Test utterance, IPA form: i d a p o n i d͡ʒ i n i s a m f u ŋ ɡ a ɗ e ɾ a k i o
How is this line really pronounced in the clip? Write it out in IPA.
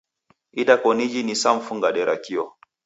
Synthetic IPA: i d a k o n i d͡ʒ i n i s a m f u ŋ ɡ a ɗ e ɾ a k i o

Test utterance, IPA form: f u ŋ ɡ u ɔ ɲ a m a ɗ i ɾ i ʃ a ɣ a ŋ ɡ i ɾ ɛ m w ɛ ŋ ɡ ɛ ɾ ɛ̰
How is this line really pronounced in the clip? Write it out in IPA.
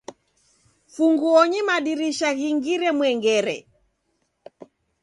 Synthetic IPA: f u ŋ ɡ u ɔ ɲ i m a ɗ i ɾ i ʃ a ɣ i ŋ ɡ i ɾ ɛ m w ɛ ŋ ɡ ɛ ɾ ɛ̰

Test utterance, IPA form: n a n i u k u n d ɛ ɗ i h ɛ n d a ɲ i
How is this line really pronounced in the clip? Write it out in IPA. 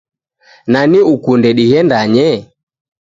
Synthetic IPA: n a n i u k u n d ɛ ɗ i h ɛ n d a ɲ ɛ

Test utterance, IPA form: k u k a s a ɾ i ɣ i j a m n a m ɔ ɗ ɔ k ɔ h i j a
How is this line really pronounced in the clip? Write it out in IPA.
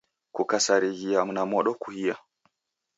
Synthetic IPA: k u k a s a ɾ i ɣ i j a m n a m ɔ ɗ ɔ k u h i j a

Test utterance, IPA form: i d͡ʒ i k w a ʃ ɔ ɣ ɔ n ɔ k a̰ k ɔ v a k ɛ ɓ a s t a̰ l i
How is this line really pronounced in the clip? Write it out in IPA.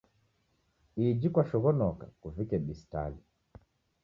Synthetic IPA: i d͡ʒ i k w a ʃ ɔ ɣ ɔ n ɔ k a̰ k u v i k ɛ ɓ i s t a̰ l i

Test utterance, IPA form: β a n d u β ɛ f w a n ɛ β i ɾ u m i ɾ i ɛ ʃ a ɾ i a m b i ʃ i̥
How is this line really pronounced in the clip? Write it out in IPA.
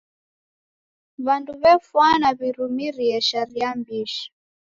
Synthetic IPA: β a n d u β ɛ f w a n a β i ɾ u m i ɾ i ɛ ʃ a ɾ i a m b i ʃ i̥

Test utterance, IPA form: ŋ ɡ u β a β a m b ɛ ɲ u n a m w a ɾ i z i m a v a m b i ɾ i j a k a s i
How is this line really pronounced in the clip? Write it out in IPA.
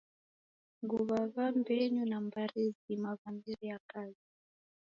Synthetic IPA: ŋ ɡ u β a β a m b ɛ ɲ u n a m b a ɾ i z i m a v a m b i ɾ i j a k a z i

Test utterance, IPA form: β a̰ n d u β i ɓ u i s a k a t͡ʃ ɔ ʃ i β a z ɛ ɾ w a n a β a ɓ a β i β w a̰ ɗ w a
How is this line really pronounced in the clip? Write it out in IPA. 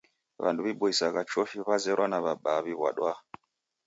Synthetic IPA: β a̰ n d u β i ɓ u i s a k a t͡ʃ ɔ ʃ i β a z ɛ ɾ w a n a β a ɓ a β i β w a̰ ɗ w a

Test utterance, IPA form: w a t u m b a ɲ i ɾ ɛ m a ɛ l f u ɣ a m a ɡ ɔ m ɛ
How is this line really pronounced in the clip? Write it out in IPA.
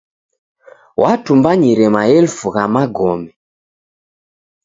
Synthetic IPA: w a t u m b a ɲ i ɾ ɛ m a ɛ l f u ɣ a m a ɡ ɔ m ɛ

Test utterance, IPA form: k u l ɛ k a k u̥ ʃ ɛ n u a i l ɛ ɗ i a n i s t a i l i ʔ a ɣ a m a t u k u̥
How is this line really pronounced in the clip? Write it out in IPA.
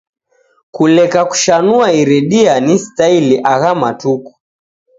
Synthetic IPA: k u l ɛ k a k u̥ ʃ a n u a i ɾ ɛ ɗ i a n i s t a i l i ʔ a ɣ a m a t u k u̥

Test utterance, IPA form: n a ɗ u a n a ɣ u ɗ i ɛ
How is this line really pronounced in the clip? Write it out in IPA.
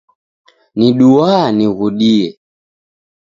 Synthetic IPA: n i ɗ u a n i ɣ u ɗ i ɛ

